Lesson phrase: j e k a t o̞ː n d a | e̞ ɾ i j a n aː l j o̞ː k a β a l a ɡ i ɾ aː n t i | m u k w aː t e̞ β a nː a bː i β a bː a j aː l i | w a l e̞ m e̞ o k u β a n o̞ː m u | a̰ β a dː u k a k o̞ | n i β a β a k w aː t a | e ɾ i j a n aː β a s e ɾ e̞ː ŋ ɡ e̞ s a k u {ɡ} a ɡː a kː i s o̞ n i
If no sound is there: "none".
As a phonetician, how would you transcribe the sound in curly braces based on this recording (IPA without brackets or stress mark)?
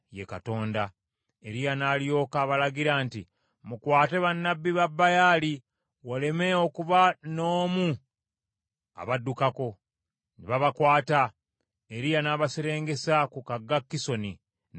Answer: k